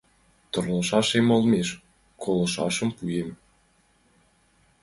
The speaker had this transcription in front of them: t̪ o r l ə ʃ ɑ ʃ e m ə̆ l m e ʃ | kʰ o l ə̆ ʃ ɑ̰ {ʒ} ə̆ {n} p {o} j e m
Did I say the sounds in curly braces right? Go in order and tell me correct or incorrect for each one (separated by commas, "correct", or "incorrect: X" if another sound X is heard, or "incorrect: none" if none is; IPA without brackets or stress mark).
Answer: incorrect: ʃ, incorrect: m, incorrect: u